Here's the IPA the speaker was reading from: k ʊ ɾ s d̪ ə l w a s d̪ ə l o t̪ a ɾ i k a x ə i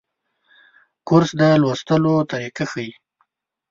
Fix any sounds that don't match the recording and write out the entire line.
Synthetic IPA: k ʊ ɾ s d̪ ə l w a s t̪ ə l o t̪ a ɾ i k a x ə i